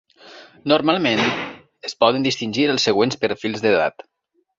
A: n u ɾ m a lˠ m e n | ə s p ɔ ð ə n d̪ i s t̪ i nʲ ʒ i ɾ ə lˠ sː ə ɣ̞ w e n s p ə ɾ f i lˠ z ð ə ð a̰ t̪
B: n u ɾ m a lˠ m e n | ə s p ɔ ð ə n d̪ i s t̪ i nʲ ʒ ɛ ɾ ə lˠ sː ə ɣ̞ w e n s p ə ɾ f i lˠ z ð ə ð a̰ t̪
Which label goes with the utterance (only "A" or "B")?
A